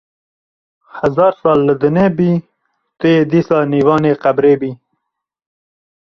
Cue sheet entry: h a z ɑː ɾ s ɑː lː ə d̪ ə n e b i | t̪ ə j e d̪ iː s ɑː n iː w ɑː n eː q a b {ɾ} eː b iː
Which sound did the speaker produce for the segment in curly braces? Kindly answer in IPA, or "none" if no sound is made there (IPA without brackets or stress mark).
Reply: ɾ